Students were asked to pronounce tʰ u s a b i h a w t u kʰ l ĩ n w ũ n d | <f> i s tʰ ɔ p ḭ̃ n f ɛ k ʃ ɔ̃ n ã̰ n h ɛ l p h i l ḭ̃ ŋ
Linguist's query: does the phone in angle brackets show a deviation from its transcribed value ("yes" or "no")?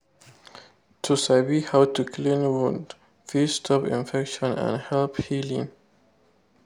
no